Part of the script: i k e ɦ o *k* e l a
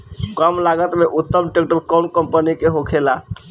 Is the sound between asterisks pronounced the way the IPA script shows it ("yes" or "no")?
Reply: no